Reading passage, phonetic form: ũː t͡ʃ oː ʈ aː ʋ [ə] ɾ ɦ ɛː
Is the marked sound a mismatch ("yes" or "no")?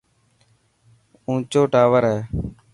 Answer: no